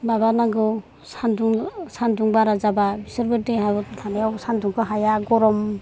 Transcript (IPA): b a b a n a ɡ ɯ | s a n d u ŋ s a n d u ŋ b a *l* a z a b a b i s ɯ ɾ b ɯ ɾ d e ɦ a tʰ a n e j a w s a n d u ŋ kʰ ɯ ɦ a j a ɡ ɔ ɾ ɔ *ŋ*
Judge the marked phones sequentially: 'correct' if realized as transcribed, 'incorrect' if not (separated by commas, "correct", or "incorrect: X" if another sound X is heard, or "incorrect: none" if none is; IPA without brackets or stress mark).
incorrect: ɾ, incorrect: m